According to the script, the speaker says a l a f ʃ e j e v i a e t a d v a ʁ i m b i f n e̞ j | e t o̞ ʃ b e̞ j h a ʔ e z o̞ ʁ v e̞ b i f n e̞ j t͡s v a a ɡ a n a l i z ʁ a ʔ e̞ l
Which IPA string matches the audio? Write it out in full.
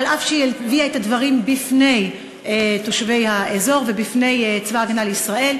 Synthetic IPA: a l a f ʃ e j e v i a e t a d v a ʁ i m b i f n e̞ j | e t o̞ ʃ v e̞ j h a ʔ e z o̞ ʁ v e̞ b i f n e̞ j t͡s v a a ɡ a n a l i s ʁ a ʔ e̞ l

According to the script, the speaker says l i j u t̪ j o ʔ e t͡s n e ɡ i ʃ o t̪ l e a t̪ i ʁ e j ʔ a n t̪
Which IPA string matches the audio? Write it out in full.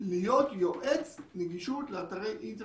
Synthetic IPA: l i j o t̪ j o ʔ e t͡s n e ɡ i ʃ u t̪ l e a t̪ a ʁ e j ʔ i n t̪

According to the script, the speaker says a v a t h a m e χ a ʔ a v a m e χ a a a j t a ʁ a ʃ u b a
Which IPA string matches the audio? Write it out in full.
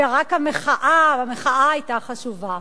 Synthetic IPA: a ʁ a k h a m e χ a ʔ a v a m e χ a a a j t a χ a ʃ u v a

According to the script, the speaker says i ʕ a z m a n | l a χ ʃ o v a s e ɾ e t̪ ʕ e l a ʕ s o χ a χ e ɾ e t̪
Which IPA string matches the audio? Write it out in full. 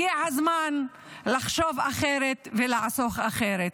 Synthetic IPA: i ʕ a z m a n | l a χ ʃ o v a χ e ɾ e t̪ v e l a ʕ s o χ a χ e ɾ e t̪

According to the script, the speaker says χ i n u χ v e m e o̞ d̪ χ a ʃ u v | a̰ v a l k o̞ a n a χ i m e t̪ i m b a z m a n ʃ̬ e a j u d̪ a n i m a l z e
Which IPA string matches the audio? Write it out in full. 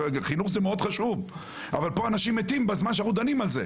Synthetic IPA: χ i n u χ z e m e o̞ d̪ χ a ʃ u v | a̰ v a l p o̞ a n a ʃ i m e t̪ i m b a z m a n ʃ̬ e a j u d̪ a n i m a l z e

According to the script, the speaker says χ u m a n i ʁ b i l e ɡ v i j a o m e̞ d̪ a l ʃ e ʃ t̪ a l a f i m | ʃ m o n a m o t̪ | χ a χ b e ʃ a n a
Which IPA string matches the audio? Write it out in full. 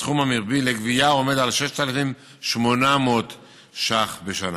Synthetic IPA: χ u m a m i ʁ b i l e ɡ v i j a o m e̞ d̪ a l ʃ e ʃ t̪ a l a f i m | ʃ m o n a m o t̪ | ʃ a χ b e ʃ a n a

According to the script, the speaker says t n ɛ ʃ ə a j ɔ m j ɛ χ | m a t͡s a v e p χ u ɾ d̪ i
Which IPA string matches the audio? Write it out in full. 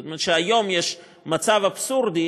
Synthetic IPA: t m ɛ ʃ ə a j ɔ m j ɛ ʃ | m a t͡s a v a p s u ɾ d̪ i

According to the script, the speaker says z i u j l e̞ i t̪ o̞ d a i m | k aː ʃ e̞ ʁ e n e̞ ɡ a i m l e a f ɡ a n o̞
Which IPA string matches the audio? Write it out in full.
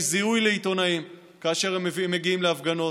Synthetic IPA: z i u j l e̞ i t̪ o̞ n a i m | k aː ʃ e̞ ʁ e m e̞ ɡ i i m l e a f ɡ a n o̞

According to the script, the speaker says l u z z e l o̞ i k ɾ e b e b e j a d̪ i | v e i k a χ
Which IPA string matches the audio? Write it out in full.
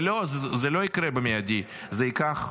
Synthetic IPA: l o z z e l o̞ i k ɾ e b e m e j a d̪ i | z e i k a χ

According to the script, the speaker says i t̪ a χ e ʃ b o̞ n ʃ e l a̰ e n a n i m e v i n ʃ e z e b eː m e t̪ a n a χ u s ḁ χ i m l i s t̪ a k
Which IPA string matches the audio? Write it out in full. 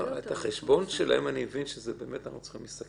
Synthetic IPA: e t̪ a χ e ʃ b o̞ n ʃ e l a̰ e m a n i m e v i n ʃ e z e b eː m e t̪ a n a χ u t͡s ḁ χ i m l i s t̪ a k

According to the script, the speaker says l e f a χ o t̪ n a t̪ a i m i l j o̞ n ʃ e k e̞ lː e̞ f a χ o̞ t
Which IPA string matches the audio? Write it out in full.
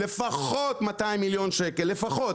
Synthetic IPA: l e f a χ o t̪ m a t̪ a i m i l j o̞ n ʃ e k e̞ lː e̞ f a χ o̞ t

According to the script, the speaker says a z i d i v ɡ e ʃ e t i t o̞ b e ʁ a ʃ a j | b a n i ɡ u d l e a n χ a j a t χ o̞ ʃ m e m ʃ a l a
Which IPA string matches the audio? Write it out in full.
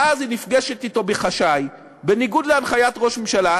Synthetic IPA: a z i n i f ɡ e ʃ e t i t o̞ b e χ a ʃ a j | b e n i ɡ u d l e a n χ a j a t ʁ o̞ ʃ m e m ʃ a l a

